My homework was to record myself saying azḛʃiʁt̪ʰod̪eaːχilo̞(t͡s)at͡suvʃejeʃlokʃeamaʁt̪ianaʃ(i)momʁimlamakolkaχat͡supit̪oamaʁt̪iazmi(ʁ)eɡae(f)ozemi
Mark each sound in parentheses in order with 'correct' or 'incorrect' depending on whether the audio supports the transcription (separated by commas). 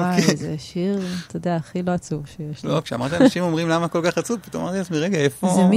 incorrect, correct, correct, correct